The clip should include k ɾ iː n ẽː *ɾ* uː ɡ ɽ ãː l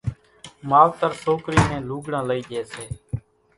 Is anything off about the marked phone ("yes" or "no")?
yes